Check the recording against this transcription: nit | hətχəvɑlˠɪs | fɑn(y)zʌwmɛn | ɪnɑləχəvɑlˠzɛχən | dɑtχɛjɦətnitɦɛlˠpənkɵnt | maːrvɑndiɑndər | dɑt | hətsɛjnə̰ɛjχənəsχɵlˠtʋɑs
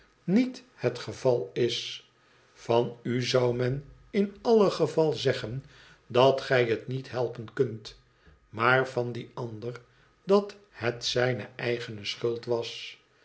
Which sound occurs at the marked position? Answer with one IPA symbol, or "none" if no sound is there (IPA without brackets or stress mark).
y